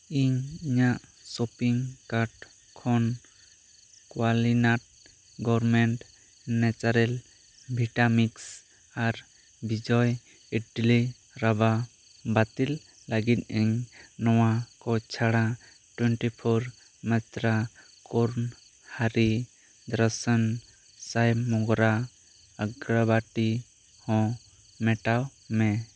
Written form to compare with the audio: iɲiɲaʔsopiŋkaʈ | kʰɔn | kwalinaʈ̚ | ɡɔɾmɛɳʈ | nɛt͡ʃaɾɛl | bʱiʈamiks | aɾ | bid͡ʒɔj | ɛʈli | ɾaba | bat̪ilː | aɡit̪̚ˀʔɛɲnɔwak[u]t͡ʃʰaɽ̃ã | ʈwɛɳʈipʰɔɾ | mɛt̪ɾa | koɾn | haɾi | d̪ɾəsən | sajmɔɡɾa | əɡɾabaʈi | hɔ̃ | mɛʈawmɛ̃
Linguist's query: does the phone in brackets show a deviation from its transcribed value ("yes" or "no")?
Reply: yes